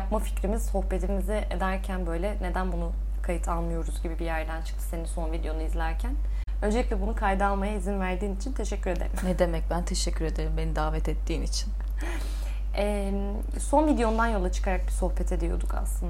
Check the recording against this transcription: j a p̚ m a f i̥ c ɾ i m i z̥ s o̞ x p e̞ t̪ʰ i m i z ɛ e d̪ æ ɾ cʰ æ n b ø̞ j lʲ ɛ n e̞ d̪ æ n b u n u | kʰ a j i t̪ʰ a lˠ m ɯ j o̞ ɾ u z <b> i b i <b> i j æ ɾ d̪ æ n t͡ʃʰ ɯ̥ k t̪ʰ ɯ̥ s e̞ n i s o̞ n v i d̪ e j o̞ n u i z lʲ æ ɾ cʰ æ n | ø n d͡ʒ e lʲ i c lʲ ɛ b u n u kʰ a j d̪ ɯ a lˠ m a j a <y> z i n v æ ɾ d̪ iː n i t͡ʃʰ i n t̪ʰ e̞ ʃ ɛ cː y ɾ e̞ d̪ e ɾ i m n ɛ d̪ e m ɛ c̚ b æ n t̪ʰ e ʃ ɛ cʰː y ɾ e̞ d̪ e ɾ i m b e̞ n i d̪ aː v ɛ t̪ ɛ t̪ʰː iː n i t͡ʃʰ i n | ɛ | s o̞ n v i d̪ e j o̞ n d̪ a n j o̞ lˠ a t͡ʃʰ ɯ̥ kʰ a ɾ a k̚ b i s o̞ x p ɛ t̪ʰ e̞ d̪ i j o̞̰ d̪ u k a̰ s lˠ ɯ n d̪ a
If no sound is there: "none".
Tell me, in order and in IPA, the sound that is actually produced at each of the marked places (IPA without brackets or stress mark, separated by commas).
ɟ, b, i